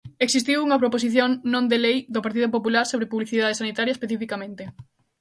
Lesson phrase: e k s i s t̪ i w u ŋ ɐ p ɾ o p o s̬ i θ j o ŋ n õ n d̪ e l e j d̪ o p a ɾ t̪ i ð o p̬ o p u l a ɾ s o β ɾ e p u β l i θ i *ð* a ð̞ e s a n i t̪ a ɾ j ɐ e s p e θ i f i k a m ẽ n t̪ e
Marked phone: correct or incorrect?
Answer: correct